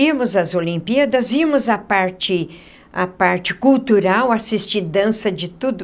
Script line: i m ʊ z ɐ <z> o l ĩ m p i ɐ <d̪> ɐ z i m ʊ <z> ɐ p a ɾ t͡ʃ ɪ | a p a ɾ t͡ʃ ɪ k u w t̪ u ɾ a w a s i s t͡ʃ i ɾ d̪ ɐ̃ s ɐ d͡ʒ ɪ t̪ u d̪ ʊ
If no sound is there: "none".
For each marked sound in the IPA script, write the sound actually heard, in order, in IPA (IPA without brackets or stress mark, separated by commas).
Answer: z, d̪, z